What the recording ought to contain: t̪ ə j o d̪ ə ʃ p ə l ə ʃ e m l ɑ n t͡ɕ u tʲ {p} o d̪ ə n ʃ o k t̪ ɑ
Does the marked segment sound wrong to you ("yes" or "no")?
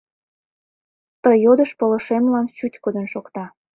yes